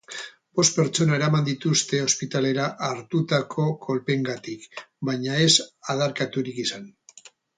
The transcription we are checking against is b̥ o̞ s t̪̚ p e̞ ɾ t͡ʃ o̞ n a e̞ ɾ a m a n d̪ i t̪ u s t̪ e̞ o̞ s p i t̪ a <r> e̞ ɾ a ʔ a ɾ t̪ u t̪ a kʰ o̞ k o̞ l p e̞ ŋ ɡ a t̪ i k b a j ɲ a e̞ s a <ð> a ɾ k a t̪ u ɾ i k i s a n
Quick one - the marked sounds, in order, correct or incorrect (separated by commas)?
incorrect, correct